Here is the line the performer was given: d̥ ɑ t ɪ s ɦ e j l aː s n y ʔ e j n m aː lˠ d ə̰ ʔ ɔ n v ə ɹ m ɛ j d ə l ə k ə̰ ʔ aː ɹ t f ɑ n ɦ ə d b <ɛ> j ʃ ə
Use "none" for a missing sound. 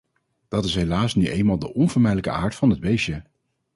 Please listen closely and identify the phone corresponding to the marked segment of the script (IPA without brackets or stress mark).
e